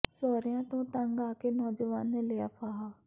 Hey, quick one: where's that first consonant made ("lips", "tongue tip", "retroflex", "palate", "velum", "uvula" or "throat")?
tongue tip